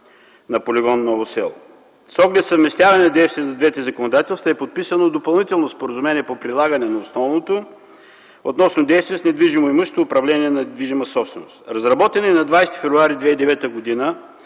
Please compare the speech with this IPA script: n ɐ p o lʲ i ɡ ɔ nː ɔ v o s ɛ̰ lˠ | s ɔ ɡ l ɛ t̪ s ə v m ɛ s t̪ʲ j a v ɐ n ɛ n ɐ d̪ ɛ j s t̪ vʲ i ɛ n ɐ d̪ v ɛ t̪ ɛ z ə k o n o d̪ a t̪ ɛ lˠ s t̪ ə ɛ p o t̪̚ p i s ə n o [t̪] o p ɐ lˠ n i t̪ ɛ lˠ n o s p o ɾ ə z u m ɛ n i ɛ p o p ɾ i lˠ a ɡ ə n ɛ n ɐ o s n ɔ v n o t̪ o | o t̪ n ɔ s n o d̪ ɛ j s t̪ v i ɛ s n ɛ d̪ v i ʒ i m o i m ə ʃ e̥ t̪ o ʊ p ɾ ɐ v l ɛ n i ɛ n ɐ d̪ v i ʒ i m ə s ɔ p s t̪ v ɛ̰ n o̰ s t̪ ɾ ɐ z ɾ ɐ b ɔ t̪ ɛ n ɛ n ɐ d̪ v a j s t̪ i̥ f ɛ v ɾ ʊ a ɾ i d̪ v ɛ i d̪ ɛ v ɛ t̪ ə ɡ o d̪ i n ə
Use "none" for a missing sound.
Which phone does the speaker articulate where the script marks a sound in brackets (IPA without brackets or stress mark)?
d̪